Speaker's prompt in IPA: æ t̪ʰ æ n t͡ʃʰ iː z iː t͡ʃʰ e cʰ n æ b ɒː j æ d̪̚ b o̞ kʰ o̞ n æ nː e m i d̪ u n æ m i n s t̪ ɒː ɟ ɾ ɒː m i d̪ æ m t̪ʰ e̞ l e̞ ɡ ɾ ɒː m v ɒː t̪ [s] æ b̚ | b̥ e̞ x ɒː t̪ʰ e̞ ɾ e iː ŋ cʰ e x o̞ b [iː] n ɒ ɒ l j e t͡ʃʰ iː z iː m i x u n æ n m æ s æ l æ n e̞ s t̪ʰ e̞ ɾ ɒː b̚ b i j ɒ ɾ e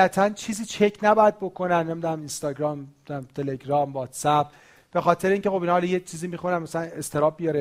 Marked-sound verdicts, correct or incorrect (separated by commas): correct, incorrect